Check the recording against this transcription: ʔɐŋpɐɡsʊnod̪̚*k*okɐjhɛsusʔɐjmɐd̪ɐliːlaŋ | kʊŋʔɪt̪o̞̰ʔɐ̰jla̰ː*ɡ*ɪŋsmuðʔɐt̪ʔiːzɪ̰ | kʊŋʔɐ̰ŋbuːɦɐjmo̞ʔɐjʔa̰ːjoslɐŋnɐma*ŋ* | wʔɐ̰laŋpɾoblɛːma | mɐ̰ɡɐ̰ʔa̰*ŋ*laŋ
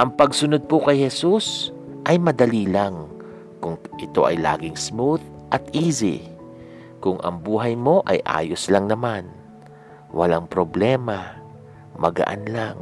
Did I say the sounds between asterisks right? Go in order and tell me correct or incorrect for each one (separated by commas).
incorrect, correct, incorrect, incorrect